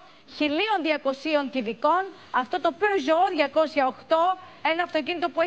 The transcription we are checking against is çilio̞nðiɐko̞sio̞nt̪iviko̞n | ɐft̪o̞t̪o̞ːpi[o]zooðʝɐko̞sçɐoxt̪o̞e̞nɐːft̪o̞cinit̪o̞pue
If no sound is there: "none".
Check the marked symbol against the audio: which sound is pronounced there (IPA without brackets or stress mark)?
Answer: o